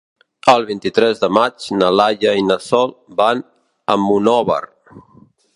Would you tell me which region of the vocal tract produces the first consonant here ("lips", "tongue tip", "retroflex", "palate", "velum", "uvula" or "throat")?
tongue tip